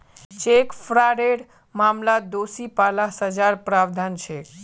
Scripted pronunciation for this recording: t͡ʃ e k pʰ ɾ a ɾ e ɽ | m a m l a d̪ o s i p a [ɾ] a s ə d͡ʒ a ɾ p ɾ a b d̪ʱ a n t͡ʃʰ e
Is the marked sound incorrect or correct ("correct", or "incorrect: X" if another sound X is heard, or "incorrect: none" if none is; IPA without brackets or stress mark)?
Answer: incorrect: l